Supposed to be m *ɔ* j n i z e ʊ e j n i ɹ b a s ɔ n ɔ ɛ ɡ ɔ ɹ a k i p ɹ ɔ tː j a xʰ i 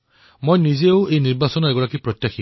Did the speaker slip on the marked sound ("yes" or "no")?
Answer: yes